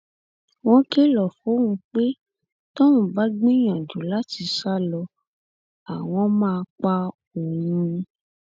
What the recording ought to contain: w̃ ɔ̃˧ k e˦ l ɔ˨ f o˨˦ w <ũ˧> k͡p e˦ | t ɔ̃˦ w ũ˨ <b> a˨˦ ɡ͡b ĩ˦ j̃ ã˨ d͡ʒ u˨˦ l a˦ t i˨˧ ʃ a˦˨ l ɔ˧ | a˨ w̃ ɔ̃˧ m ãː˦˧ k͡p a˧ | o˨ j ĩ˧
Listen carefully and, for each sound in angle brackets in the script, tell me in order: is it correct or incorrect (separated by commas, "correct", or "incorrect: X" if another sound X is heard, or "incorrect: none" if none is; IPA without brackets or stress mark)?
correct, correct